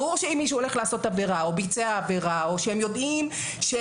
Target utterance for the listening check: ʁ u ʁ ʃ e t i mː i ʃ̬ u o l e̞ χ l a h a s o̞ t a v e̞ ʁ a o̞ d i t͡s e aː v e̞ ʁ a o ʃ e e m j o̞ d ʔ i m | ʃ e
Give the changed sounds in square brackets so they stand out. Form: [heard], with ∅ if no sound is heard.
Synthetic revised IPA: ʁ u ʁ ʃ e [∅] i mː i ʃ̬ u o l e̞ χ l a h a s o̞ t a v e̞ ʁ a o̞ [b] i t͡s e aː v e̞ ʁ a o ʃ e e m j o̞ d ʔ i m | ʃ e